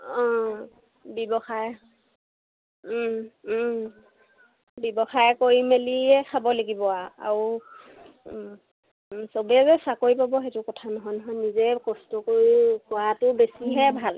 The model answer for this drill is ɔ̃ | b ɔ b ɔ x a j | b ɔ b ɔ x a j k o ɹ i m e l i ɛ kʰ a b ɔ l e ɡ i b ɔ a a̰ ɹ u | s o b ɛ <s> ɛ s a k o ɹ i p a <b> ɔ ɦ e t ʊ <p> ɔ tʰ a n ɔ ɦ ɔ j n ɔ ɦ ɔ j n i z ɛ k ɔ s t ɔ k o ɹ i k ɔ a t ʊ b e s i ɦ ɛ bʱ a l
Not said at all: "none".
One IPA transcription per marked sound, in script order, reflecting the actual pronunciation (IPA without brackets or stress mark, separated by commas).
z, b, k